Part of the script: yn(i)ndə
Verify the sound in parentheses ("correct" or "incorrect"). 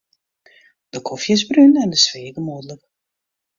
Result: incorrect